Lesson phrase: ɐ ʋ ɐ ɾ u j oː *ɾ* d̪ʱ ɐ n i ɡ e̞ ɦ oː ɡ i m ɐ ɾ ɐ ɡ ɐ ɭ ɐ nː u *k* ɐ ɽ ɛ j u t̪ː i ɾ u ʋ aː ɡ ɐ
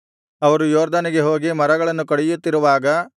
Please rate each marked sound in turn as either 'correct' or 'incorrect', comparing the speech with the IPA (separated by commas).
correct, correct